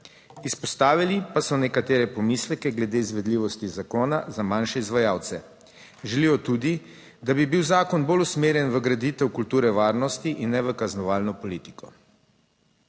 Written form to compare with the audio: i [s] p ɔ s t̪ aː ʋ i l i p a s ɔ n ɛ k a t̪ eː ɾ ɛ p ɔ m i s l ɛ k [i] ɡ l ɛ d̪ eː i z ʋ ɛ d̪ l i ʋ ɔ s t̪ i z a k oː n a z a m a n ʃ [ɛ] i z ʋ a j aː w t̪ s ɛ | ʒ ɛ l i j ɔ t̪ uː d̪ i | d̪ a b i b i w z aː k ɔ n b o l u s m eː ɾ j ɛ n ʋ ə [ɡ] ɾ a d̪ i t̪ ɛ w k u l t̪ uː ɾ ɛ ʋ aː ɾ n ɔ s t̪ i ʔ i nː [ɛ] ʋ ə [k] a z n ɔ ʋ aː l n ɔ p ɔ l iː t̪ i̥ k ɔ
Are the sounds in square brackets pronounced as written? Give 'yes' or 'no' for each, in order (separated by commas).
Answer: yes, no, yes, yes, yes, yes